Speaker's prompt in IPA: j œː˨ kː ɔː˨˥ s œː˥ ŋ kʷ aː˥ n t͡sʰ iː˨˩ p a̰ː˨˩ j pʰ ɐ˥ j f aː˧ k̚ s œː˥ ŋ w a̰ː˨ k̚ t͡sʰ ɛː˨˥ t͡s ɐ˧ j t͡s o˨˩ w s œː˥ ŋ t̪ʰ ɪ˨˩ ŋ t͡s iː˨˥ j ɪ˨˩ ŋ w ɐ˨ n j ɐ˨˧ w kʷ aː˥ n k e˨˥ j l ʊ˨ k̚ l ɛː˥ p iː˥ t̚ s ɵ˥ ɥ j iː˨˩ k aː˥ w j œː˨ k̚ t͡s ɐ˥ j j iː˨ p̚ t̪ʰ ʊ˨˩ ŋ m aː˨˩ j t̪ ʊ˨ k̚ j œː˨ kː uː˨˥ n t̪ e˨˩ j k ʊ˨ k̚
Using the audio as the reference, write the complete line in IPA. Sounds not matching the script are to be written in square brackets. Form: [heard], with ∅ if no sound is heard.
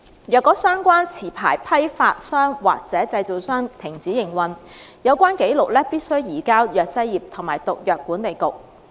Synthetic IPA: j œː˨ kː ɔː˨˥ s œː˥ ŋ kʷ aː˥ n t͡sʰ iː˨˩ [pʰ] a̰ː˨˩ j pʰ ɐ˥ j f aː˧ [t̚] s œː˥ ŋ w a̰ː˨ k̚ [t͡s] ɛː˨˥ t͡s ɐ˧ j t͡s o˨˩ w s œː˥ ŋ t̪ʰ ɪ˨˩ ŋ t͡s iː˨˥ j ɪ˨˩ ŋ w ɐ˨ n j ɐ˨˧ w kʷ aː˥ n k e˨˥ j l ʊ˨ k̚ l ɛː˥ p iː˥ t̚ s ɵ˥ ɥ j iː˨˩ k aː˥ w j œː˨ k̚ t͡s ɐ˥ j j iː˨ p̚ t̪ʰ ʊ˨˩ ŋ m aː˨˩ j t̪ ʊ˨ k̚ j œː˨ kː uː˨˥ n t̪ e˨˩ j k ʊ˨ k̚